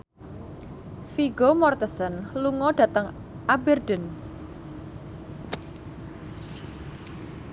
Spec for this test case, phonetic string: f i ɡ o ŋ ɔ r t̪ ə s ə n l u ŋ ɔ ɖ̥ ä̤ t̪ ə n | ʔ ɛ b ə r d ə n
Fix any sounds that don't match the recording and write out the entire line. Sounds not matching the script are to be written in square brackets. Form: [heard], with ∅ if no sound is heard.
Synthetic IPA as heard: f i ɡ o [m] ɔ r t̪ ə s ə n l u ŋ ɔ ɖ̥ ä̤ t̪ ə [ŋ] | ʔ [a] b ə r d ə n